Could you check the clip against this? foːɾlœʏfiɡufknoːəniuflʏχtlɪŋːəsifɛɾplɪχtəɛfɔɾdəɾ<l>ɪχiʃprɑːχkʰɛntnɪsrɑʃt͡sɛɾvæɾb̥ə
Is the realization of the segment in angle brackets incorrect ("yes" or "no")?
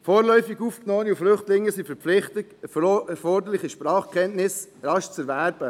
no